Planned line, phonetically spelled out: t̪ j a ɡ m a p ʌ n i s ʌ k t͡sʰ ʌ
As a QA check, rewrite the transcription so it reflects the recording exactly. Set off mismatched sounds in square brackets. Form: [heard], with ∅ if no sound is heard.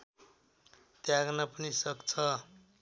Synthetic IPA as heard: t̪ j a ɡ [n] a p ʌ n i s ʌ k t͡sʰ ʌ

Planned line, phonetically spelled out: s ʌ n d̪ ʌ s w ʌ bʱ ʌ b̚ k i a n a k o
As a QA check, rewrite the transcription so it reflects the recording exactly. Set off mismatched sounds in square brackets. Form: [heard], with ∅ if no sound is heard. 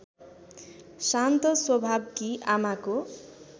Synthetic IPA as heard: s [a] n [t̪] ʌ s w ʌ bʱ [a] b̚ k i a [m] a k o

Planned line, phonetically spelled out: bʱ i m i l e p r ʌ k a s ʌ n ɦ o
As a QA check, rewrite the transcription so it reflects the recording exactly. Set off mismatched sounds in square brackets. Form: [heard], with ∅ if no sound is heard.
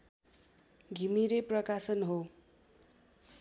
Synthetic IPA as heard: [ɡʱ] i m i [ɾ] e p r ʌ k a s ʌ n ɦ o

